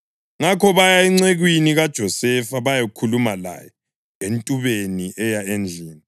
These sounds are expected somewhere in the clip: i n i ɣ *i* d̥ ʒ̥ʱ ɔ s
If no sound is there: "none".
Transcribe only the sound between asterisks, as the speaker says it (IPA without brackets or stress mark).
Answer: a